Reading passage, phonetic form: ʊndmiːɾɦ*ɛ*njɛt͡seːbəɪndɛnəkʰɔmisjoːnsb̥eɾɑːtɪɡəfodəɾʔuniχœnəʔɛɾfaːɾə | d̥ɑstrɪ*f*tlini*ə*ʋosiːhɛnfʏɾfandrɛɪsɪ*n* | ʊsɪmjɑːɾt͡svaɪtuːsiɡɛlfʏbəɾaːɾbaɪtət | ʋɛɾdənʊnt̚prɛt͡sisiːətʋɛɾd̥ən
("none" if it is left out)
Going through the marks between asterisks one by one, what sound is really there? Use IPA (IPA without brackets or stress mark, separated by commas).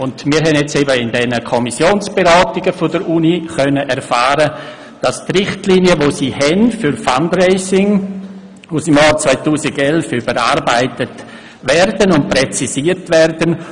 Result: ɛ, χ, ə, ŋ